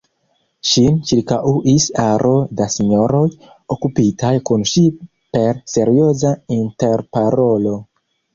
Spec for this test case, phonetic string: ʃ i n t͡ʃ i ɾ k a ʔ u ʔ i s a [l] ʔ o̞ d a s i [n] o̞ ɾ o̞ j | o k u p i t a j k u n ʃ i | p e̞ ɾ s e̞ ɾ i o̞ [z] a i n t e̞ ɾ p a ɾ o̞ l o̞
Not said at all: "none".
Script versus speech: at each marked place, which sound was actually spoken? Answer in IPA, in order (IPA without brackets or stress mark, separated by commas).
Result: ɾ, ɲ, z